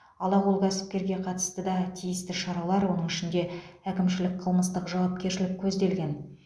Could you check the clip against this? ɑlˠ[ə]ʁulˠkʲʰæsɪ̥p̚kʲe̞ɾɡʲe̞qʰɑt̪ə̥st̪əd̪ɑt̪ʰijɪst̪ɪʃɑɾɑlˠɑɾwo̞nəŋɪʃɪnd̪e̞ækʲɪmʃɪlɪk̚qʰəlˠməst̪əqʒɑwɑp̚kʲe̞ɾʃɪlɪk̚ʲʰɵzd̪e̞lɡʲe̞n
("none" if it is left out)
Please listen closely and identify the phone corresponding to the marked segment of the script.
ɑ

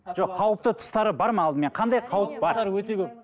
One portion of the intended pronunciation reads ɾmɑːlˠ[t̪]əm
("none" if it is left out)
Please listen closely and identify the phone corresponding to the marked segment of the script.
d̪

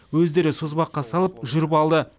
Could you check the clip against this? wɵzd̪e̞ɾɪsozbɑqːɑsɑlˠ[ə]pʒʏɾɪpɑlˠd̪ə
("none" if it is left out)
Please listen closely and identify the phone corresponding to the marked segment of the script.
ə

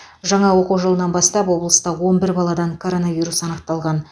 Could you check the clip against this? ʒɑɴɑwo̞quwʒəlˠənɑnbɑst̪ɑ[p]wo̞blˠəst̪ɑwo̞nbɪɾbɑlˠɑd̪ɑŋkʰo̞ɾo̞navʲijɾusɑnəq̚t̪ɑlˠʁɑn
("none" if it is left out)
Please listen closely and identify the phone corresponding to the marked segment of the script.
p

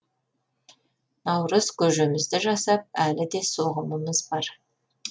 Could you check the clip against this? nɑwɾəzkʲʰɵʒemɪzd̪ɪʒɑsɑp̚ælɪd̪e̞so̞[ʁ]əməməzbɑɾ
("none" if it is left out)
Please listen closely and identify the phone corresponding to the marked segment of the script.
ʁ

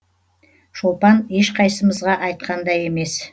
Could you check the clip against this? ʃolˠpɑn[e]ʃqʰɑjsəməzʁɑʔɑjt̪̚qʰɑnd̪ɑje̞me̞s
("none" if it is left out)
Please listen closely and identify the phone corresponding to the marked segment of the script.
e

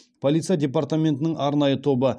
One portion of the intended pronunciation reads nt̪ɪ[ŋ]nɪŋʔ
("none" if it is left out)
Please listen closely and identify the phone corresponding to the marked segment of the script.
none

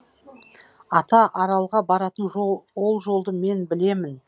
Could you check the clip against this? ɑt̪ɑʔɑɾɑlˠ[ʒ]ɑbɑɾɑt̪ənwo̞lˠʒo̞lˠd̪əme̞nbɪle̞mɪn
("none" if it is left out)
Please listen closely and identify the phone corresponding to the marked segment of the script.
ʁ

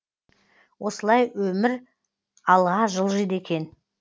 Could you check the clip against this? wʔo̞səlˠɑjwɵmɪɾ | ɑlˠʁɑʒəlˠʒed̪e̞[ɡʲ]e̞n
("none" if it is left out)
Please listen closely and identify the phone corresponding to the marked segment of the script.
kʲ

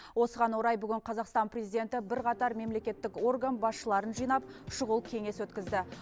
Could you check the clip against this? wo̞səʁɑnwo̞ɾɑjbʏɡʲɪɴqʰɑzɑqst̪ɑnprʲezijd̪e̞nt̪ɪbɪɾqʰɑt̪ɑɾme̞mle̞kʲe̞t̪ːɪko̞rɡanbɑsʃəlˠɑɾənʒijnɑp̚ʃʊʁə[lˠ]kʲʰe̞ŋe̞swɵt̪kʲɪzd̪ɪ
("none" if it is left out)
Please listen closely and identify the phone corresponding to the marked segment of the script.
lˠ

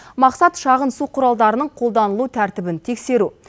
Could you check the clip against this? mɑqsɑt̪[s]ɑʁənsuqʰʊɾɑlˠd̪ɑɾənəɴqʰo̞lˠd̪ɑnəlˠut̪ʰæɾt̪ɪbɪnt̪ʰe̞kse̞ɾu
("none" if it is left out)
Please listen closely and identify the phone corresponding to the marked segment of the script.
ʃ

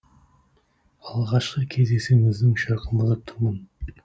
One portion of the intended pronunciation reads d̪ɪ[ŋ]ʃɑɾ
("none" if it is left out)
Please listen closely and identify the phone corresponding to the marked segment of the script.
ŋ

